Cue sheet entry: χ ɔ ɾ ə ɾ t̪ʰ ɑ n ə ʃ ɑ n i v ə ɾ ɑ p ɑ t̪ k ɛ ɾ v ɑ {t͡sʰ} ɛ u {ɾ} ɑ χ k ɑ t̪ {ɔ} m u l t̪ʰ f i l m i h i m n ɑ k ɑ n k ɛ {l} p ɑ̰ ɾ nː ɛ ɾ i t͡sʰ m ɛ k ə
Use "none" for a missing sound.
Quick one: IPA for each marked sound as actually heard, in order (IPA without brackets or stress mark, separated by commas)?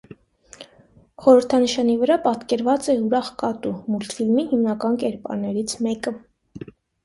t͡s, ɾ, u, ɾ